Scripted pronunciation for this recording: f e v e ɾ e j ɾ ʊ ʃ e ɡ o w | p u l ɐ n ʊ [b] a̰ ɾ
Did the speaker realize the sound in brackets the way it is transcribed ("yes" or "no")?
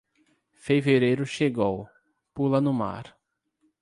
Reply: no